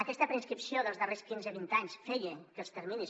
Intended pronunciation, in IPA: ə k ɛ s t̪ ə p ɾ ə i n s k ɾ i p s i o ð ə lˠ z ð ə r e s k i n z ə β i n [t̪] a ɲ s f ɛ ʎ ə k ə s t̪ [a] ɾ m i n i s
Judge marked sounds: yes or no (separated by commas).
yes, no